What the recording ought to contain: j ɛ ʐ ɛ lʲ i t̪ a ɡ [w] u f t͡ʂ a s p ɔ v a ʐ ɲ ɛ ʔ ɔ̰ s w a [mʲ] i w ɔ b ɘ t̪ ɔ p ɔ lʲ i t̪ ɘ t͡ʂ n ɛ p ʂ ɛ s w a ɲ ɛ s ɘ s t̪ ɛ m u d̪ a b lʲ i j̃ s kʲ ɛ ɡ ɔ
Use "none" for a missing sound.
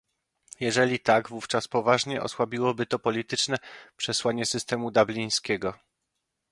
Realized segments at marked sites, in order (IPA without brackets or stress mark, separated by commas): v, bʲ